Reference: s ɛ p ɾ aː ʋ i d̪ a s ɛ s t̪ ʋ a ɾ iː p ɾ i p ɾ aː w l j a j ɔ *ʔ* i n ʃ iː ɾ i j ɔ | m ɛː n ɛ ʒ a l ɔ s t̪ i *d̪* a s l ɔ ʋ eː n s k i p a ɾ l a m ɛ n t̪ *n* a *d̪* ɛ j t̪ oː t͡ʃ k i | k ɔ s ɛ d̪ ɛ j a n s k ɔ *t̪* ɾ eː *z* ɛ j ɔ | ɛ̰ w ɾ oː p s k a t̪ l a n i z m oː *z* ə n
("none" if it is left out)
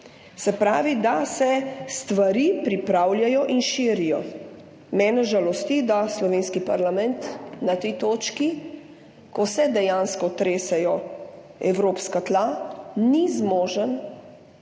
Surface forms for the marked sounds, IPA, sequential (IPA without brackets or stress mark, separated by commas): ʔ, d̪, n, t̪, t̪, s, ʒ